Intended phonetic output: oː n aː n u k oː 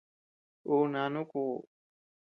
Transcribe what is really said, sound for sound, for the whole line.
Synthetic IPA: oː n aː n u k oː